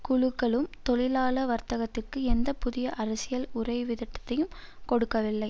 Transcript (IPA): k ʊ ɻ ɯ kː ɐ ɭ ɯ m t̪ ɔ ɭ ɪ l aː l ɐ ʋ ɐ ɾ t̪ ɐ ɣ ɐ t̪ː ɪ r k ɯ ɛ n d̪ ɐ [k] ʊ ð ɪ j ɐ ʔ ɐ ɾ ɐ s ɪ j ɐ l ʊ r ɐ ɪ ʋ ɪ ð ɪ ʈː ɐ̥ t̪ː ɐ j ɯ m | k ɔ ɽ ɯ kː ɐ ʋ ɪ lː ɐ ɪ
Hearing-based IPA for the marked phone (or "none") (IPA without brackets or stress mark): p